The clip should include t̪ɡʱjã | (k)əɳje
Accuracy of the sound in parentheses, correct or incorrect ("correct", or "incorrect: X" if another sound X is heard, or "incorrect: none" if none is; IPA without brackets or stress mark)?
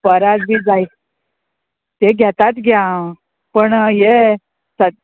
incorrect: p